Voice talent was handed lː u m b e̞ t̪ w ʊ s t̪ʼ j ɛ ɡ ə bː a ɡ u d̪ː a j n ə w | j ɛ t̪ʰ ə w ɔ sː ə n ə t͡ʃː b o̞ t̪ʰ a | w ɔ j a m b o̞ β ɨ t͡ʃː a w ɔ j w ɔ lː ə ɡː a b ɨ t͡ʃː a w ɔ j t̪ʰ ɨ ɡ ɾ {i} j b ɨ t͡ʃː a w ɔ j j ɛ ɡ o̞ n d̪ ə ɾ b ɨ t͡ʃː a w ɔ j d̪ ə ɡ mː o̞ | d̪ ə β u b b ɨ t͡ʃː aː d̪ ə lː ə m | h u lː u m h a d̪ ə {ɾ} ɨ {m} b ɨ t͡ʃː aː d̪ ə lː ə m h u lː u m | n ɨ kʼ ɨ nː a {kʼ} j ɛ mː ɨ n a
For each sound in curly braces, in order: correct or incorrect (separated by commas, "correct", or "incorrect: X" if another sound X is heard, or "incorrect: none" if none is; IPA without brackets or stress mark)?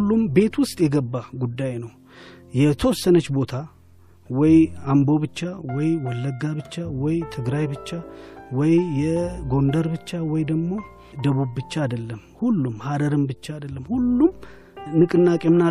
incorrect: a, correct, correct, correct